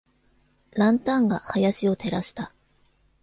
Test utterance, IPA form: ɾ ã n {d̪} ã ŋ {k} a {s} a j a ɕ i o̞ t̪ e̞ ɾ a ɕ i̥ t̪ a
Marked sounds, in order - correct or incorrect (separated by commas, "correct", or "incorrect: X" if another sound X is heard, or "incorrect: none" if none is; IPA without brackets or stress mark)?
incorrect: t̪, incorrect: ɡ, incorrect: h